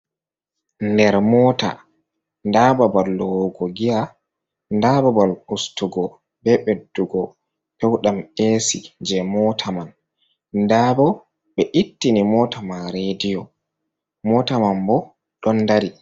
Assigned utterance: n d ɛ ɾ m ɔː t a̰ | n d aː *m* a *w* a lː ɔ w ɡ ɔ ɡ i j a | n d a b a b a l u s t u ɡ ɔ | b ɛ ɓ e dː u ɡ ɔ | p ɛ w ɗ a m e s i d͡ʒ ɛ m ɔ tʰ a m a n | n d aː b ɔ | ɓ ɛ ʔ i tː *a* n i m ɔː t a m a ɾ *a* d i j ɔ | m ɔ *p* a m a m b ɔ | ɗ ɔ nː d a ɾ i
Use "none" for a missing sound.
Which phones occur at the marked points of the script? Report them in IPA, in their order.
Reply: b, b, i, e, t

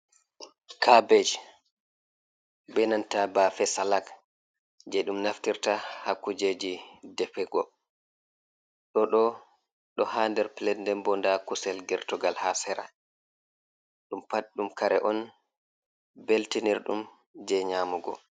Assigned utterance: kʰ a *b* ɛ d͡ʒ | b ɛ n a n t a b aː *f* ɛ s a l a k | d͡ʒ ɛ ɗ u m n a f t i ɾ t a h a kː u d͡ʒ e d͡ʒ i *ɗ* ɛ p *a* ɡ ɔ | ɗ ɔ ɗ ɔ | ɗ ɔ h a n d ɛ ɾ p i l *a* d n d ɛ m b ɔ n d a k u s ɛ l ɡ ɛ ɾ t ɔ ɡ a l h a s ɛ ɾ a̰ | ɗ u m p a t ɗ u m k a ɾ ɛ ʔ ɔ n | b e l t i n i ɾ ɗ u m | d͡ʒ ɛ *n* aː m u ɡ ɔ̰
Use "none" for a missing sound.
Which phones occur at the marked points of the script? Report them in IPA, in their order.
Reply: b, f, d, ɛ, ɛ, ɲ

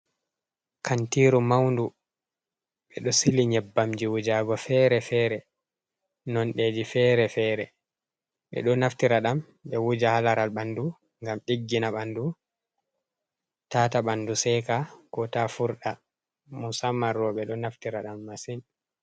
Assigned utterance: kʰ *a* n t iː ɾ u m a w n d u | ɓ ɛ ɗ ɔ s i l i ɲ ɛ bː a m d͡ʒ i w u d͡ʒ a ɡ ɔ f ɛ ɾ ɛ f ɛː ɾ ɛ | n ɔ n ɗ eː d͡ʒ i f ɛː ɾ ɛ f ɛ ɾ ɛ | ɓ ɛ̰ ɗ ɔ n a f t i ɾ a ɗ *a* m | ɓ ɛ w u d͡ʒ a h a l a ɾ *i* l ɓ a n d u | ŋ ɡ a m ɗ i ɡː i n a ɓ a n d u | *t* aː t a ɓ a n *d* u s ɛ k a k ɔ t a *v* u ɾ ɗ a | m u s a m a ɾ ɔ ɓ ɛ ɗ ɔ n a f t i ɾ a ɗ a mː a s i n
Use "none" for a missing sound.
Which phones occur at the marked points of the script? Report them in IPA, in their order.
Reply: a, a, a, t, d, f

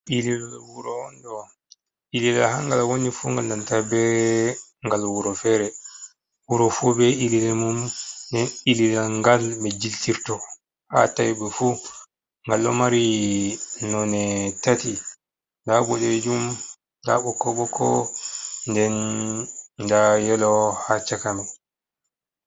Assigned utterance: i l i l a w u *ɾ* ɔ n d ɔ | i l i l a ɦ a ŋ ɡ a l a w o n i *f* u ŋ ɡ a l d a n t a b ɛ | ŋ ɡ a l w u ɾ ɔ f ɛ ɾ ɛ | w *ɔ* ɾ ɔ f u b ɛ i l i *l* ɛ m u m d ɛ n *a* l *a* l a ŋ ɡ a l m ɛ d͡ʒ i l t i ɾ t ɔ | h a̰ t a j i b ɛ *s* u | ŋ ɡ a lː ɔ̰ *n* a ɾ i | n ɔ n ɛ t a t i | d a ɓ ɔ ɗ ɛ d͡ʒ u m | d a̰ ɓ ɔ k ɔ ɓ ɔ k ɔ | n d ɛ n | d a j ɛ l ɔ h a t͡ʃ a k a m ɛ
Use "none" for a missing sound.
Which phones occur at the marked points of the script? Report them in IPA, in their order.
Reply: ɾ, f, u, l, i, i, f, m

